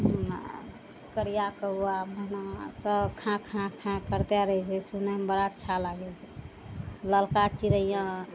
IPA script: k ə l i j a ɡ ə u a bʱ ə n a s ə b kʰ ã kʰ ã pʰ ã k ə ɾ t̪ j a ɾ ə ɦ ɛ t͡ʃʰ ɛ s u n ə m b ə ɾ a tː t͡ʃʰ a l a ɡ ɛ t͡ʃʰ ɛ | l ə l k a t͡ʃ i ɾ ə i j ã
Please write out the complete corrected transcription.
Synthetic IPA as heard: k ə ɾ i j a k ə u a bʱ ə n a s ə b kʰ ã kʰ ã kʰ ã k ə ɾ t̪ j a ɾ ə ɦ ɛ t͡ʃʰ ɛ s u n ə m b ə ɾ a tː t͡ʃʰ a l a ɡ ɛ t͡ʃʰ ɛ | l ə l k a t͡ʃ i ɾ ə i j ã